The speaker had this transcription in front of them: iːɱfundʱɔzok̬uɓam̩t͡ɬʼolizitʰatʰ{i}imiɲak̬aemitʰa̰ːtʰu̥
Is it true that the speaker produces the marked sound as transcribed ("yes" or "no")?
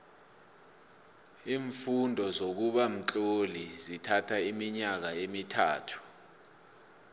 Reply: no